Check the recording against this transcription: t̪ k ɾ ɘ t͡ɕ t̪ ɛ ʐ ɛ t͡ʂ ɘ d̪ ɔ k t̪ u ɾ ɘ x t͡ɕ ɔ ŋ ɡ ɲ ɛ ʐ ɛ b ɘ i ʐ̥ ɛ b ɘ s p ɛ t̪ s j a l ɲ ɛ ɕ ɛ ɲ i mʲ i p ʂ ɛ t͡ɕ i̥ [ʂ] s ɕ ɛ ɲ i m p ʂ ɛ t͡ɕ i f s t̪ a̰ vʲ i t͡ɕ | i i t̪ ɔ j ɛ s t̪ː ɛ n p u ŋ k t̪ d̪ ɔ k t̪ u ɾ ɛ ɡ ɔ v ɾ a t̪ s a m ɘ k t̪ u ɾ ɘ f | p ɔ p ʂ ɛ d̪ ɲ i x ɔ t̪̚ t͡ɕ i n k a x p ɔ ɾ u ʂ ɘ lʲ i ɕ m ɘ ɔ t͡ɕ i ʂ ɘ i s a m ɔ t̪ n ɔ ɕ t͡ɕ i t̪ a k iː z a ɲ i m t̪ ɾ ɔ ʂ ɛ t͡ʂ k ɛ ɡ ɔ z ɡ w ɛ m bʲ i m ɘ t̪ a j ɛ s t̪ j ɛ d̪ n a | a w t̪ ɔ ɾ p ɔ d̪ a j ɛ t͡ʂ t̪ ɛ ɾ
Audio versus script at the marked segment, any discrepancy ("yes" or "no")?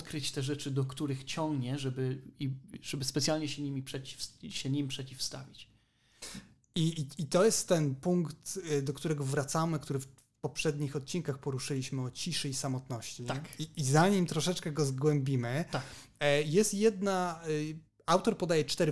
yes